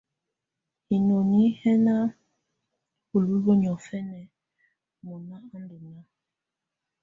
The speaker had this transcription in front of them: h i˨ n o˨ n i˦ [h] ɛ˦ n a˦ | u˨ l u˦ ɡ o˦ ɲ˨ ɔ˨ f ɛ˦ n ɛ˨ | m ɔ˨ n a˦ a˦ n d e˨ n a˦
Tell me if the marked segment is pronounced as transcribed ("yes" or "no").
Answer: yes